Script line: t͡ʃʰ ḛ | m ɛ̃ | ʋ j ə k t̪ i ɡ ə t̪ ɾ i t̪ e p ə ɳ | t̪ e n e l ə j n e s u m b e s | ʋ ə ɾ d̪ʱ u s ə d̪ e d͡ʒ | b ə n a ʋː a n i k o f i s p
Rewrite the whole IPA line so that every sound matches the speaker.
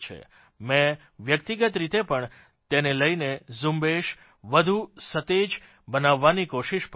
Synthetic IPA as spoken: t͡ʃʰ ḛ | m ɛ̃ | ʋ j ə k t̪ i ɡ ə t̪ ɾ i t̪ e p ə ɳ | t̪ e n e l ə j n e z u m b e ʃ | ʋ ə d̪ʱ u s ə t̪ e d͡ʒ | b ə n a ʋː a n i k o ʃ i ʃ p